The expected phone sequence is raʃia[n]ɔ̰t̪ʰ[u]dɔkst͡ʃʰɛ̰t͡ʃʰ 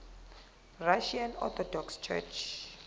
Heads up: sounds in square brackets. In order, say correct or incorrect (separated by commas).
correct, incorrect